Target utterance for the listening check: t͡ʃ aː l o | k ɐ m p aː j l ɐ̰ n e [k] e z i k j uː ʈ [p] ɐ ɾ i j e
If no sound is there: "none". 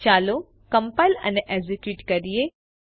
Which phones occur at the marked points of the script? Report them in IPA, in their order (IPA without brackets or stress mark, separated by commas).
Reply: ʔ, k